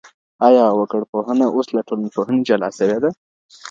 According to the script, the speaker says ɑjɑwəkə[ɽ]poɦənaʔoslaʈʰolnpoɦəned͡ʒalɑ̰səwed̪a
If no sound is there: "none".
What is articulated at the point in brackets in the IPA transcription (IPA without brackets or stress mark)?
ɽ